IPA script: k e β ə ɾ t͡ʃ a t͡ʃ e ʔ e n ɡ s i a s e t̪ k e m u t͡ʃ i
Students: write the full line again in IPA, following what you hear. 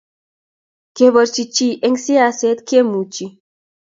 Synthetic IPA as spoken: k e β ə ɾ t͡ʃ i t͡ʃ i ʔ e ŋ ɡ s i a s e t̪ k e m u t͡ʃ i

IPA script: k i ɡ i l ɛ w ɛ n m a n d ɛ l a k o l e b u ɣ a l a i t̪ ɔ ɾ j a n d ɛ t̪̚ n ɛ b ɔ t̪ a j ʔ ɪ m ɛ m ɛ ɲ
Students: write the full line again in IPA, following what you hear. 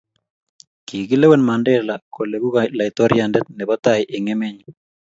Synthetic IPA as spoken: k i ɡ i l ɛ w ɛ n m a n d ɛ l a k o l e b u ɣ a l a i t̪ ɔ ɾ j a n d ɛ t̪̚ n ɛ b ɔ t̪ a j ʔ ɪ ŋ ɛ m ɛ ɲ

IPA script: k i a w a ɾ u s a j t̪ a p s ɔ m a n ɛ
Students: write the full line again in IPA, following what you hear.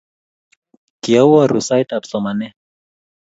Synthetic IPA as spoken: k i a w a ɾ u s a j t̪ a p s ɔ m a n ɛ

